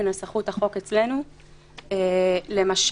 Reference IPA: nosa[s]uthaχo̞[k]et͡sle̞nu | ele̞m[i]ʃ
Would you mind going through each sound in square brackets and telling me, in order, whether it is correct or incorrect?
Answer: incorrect, correct, incorrect

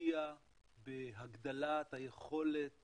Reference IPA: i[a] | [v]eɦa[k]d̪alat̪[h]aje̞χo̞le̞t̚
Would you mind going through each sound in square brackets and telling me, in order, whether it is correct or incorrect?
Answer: correct, incorrect, incorrect, correct

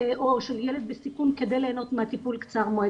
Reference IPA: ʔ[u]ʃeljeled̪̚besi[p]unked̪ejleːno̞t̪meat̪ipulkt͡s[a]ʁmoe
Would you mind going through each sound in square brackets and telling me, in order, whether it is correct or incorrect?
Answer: incorrect, incorrect, correct

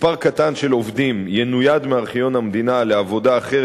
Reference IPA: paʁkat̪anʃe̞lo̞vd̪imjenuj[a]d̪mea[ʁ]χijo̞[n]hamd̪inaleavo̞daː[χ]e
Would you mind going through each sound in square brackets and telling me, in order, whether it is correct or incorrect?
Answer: correct, correct, correct, correct

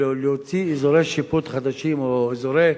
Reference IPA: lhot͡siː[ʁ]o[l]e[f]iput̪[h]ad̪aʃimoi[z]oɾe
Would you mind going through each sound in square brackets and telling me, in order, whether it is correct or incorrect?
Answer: incorrect, incorrect, incorrect, incorrect, correct

